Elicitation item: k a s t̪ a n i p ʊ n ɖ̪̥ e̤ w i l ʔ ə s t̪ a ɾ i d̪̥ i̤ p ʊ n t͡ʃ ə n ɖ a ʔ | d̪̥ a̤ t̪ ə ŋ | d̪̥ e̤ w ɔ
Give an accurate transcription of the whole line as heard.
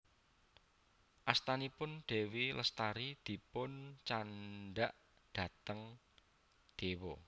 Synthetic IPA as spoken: ʔ a s t̪ a n i p ʊ n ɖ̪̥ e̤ w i l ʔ ə s t̪ a ɾ i d̪̥ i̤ p ʊ n t͡ʃ a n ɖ a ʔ | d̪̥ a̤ t̪ ə ŋ | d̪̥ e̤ w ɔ